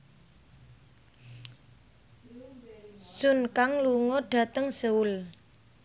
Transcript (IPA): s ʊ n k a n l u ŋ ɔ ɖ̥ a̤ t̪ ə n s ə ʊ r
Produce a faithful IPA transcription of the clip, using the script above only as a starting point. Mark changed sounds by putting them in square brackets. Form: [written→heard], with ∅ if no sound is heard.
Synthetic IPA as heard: s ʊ n k a [n→ŋ] l u ŋ ɔ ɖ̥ a̤ t̪ ə [n→ŋ] s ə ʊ [r→l]